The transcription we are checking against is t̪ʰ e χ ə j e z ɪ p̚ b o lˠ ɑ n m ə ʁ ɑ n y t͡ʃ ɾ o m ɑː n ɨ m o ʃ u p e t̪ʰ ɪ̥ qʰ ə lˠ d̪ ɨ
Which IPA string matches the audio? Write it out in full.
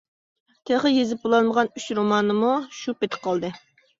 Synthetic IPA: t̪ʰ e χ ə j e z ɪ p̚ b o lˠ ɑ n m ə ʁ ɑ n y t͡ʃ ɾ o m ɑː n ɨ m u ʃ u p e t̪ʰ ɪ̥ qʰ ɑ lˠ d̪ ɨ